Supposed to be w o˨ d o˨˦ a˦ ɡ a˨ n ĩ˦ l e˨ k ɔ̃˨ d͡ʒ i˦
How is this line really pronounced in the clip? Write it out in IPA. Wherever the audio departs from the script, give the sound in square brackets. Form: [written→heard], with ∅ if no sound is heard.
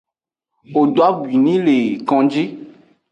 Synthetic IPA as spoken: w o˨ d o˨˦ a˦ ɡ [a˨→i˨] n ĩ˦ l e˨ k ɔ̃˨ d͡ʒ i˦